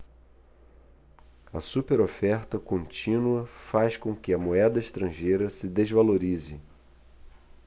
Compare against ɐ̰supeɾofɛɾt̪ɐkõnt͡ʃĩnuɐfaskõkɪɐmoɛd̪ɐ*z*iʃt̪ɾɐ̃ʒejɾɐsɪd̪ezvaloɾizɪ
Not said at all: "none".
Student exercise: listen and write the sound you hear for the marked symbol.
none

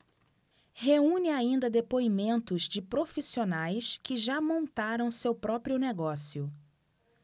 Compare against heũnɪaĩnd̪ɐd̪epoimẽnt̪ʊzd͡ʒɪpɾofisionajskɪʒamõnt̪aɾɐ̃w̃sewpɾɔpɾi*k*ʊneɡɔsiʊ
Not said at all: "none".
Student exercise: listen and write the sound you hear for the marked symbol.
none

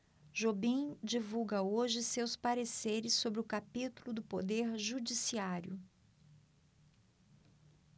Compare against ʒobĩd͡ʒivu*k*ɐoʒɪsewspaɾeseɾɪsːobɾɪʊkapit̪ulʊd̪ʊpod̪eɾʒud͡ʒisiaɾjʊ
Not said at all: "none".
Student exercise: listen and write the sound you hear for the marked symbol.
ɡ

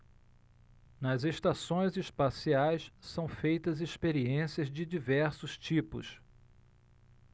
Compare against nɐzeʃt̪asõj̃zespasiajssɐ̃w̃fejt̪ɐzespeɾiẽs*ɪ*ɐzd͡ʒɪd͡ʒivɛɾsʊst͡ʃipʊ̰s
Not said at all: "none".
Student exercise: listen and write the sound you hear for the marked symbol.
i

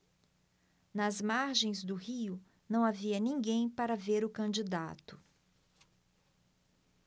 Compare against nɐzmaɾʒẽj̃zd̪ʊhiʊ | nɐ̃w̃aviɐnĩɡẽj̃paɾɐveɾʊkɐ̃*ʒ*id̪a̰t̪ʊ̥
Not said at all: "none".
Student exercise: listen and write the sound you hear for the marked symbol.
d͡ʒ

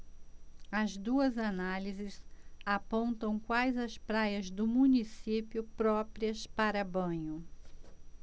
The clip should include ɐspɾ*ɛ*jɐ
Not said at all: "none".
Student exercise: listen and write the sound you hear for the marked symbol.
a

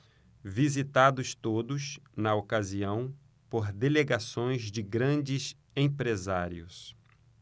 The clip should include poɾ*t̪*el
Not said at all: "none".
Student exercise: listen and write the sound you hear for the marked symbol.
d̪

